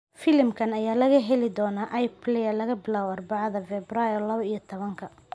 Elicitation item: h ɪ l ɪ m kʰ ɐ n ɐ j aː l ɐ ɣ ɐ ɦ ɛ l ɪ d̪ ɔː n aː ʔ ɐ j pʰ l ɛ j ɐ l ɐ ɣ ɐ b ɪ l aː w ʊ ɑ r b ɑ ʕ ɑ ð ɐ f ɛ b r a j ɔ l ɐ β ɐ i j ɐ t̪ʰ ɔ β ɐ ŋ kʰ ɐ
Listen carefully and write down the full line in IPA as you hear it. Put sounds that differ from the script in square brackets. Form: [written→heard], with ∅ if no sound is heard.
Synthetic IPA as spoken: [h→f] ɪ l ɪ m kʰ ɐ n ɐ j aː l ɐ ɣ ɐ ɦ ɛ l ɪ d̪ ɔː n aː ʔ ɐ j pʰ l ɛ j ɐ l ɐ ɣ ɐ b ɪ l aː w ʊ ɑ r b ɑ ʕ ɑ ð ɐ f ɛ b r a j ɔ l ɐ β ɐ i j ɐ t̪ʰ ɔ β ɐ ŋ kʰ ɐ